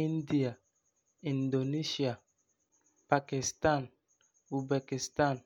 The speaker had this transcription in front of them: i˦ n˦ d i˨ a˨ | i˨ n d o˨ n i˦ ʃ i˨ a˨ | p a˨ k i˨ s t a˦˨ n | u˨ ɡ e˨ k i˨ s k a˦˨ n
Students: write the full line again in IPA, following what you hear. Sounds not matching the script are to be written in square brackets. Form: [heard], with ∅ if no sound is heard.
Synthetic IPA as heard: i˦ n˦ d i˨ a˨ | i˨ n d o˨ n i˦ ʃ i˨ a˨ | p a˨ k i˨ s t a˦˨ n | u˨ [b] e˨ k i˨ s [t] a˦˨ n